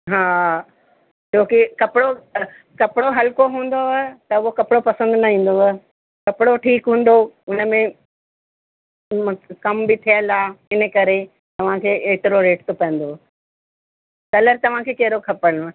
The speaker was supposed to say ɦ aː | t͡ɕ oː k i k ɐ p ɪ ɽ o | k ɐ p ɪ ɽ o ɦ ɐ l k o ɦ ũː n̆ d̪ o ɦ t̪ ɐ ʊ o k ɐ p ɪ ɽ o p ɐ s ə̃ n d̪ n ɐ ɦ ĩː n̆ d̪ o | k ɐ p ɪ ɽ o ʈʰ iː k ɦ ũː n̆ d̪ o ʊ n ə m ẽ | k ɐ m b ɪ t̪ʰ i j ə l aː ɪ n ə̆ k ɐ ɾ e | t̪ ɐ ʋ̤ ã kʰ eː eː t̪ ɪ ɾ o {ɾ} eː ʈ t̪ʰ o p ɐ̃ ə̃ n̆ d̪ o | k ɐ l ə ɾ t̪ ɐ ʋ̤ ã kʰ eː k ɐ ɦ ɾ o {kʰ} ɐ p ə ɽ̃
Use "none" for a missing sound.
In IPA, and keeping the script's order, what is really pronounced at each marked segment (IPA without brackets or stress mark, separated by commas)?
ɾ, kʰ